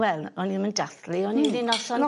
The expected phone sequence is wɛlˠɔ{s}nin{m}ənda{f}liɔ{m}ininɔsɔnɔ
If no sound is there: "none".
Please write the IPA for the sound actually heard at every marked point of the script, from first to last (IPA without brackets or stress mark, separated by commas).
none, m, θ, n